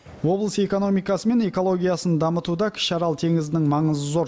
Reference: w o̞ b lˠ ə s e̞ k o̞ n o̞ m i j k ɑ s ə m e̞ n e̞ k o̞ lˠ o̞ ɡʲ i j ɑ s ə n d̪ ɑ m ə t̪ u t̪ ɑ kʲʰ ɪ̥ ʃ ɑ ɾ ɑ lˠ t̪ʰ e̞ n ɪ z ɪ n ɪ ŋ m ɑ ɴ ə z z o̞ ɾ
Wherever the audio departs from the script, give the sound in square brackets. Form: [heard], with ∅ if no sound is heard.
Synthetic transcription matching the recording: w o̞ b lˠ ə s e̞ k o̞ n o̞ m i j k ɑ s ə m e̞ n e̞ k o̞ lˠ o̞ ɡʲ i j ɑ s ə n d̪ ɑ m ə t̪ u [d̪] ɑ kʲʰ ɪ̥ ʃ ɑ ɾ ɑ lˠ t̪ʰ e̞ [ŋ] ɪ z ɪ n ɪ ŋ m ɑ ɴ ə z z o̞ ɾ